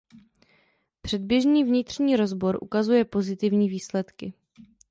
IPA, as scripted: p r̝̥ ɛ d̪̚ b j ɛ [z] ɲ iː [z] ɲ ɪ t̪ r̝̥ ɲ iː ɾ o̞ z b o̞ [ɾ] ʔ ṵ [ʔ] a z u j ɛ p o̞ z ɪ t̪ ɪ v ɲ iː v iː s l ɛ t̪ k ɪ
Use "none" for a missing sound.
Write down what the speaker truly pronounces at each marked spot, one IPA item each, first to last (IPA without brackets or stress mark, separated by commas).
ʒ, v, ɾ, k